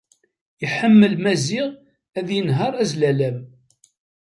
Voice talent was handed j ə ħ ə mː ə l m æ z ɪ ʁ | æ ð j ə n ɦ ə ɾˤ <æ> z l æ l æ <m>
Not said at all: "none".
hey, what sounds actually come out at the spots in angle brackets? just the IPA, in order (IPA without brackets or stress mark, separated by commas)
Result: æ, m